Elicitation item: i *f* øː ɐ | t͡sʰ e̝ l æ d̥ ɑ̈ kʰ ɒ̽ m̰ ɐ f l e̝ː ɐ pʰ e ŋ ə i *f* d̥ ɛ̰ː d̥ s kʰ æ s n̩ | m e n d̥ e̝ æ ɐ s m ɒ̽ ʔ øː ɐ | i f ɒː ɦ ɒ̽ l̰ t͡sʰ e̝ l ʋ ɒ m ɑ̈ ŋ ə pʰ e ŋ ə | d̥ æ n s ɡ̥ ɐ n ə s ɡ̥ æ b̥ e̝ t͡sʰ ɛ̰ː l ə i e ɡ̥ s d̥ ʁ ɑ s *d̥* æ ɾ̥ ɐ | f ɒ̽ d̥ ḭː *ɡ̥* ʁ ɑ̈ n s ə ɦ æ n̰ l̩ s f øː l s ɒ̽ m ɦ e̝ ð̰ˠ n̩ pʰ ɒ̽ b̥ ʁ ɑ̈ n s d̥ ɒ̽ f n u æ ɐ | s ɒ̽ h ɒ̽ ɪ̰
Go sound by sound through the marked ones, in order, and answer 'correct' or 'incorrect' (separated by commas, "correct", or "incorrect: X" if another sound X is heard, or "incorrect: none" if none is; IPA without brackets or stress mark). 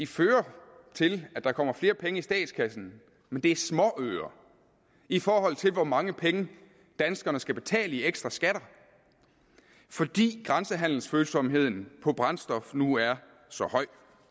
correct, incorrect: s, incorrect: ɡ̥, correct